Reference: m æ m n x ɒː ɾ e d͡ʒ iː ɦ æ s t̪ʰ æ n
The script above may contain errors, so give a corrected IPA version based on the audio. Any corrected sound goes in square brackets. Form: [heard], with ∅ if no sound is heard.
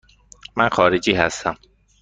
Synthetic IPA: m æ [∅] n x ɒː ɾ e d͡ʒ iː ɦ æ s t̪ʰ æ [m]